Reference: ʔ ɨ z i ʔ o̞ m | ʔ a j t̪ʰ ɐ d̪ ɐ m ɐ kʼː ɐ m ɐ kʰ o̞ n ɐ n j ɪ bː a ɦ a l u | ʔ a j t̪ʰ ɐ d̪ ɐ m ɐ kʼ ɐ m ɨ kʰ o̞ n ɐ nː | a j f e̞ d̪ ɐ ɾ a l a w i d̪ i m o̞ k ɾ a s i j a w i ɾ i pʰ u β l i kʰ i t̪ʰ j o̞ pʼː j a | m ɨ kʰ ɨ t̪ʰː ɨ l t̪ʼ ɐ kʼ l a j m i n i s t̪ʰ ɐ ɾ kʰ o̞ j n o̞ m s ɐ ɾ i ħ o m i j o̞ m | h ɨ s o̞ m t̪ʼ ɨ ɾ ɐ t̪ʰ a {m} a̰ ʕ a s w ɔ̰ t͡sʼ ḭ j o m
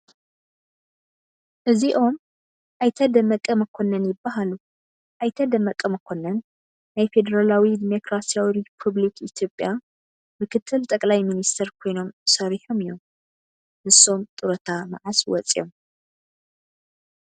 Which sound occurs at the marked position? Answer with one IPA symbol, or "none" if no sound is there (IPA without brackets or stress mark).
m